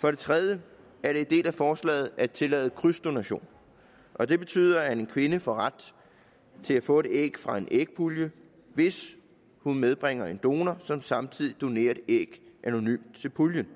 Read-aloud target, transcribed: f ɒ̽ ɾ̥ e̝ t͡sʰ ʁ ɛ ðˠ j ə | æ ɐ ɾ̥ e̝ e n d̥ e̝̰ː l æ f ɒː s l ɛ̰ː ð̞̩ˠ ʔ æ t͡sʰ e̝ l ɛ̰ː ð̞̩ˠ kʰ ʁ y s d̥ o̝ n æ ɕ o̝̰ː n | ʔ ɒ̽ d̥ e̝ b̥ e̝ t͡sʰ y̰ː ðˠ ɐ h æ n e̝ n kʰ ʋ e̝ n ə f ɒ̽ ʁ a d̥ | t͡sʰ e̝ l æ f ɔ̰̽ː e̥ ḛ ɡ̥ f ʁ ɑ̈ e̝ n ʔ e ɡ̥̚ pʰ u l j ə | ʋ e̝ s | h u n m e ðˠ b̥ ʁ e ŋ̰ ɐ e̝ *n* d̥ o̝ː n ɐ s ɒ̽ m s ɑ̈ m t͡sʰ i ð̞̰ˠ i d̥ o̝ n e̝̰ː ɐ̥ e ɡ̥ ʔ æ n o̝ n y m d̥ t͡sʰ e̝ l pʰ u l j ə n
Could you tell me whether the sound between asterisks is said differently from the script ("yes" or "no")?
no